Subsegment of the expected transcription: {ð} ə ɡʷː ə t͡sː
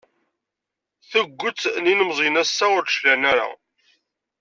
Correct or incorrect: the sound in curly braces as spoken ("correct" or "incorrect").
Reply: incorrect